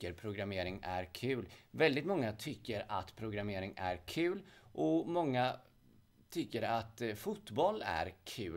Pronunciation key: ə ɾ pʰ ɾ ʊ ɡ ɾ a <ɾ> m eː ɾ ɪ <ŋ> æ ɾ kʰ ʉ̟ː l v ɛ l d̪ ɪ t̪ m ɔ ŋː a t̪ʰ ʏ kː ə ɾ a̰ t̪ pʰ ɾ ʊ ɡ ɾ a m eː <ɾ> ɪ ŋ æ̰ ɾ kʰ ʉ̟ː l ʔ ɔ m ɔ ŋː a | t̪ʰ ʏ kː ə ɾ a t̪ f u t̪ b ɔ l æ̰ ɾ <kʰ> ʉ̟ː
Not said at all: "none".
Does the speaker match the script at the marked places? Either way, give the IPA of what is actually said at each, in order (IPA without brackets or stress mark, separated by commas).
none, ŋ, ɾ, kʰ